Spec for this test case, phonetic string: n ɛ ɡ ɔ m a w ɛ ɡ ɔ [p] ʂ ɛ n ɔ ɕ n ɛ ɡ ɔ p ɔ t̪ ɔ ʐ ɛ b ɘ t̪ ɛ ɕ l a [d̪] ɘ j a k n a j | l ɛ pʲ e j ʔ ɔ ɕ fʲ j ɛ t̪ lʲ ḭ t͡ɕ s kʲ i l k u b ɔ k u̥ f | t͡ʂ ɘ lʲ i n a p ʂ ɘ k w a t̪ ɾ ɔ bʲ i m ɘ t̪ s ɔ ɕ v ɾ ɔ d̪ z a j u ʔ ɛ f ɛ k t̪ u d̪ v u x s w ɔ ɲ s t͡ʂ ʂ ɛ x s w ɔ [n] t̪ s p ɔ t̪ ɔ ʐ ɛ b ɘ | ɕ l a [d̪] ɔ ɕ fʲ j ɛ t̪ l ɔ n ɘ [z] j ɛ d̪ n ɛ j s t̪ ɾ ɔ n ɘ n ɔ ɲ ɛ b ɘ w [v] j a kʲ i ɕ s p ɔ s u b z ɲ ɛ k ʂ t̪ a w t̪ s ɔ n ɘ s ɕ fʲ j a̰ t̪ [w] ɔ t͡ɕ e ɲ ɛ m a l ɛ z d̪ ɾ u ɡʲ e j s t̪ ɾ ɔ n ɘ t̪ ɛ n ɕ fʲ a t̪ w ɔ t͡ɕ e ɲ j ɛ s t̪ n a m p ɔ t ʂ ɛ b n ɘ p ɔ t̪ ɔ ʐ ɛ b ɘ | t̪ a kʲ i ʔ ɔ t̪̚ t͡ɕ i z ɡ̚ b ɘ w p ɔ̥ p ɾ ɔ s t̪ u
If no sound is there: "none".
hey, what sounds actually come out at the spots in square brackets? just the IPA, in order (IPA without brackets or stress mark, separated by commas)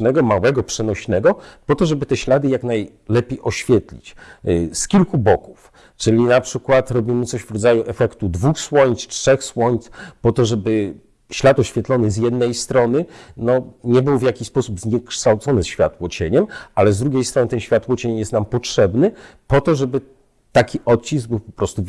p, d̪, ɲ, t̪, z, v, w